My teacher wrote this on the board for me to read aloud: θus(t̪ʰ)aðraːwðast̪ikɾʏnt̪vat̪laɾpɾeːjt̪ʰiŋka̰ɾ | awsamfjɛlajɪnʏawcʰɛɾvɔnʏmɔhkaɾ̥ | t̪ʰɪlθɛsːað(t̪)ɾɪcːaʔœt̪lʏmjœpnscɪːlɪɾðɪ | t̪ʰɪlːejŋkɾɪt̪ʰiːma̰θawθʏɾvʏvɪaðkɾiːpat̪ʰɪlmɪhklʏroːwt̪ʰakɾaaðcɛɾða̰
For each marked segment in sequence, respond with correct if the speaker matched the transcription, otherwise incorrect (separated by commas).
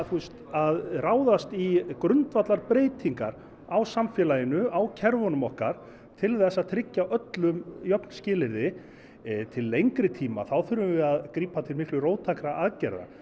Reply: incorrect, incorrect